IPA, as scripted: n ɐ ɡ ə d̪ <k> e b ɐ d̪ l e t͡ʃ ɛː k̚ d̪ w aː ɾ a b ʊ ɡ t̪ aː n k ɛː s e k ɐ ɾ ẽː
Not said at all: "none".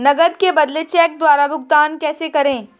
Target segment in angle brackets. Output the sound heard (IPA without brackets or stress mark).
k